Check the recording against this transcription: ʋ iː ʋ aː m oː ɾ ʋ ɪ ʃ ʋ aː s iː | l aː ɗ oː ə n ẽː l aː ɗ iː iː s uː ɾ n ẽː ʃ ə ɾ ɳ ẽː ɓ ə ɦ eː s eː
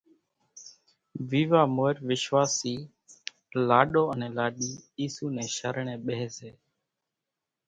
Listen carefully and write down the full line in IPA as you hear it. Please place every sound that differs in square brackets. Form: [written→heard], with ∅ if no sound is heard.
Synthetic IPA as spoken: ʋ iː ʋ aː m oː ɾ ʋ ɪ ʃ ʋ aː s iː | l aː ɗ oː ə n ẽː l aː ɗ iː iː s uː [ɾ→∅] n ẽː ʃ ə ɾ ɳ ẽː ɓ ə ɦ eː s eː